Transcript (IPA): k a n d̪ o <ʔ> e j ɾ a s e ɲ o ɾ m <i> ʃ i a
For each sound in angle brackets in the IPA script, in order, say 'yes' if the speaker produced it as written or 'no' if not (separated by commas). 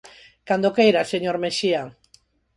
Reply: no, no